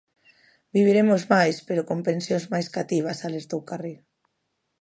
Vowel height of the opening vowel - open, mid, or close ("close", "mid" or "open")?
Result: close